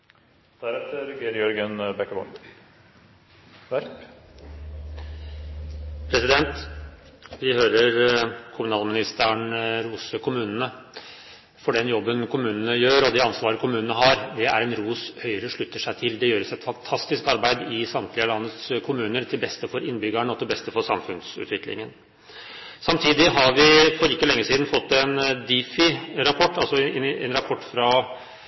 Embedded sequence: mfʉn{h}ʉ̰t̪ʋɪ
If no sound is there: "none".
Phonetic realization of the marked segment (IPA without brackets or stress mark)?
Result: s